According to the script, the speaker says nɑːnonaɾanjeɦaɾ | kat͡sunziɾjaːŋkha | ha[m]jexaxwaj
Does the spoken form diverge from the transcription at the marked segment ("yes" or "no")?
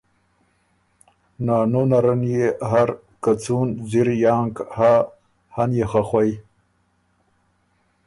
yes